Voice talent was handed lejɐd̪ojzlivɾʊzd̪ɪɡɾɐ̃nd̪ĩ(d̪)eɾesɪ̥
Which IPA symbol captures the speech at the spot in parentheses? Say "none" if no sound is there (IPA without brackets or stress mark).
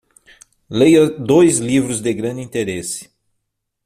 t̪